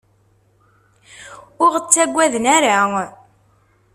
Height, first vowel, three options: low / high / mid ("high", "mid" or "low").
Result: high